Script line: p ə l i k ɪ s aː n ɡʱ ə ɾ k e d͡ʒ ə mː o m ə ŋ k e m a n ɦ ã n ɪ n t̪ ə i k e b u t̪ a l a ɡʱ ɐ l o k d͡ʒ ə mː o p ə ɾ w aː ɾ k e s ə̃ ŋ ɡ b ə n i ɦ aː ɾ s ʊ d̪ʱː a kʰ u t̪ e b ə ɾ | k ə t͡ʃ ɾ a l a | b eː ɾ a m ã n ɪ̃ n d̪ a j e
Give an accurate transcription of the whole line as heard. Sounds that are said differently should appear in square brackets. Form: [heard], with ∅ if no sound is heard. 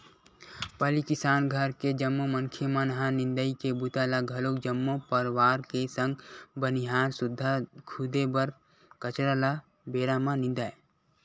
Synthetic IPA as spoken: p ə l i k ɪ s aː n ɡʱ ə ɾ k e d͡ʒ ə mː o m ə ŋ [kʰ] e m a n ɦ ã n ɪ n [d̪] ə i k e b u t̪ a l a ɡʱ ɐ l o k d͡ʒ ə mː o p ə ɾ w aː ɾ k e s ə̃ ŋ ɡ b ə n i ɦ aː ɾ s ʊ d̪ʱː a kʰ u [d̪] e b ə ɾ | k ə t͡ʃ ɾ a l a | b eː ɾ a m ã n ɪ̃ n d̪ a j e